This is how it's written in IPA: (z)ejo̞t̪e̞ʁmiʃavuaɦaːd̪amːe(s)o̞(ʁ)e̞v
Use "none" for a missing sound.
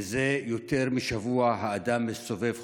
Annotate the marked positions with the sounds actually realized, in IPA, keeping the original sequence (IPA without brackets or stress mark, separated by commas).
z, s, v